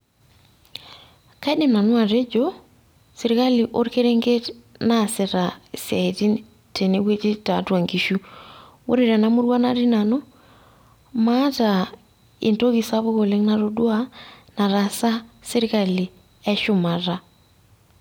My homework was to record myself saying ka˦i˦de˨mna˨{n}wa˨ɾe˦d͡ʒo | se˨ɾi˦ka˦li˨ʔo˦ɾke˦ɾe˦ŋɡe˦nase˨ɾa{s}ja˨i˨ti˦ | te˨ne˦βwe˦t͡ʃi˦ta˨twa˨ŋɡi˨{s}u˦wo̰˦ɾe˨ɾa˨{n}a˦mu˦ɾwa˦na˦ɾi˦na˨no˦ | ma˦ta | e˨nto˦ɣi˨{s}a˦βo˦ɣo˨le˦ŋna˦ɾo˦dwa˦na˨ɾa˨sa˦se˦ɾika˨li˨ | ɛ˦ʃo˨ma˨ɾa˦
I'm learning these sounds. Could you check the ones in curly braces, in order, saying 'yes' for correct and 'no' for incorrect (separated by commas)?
yes, yes, no, yes, yes